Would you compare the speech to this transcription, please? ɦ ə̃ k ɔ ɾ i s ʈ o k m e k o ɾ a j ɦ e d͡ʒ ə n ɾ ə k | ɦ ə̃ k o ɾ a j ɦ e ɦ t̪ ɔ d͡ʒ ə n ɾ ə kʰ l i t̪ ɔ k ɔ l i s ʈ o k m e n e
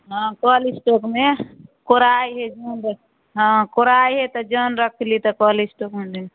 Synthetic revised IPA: ɦ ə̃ k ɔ l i s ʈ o k m e k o ɾ a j ɦ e d͡ʒ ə n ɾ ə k | ɦ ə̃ k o ɾ a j ɦ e t̪ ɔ d͡ʒ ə n ɾ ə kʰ l i t̪ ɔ k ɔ l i s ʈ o k m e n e